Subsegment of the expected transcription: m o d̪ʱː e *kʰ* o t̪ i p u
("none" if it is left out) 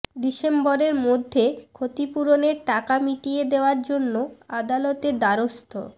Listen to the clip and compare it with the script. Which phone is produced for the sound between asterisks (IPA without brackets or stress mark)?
kʰ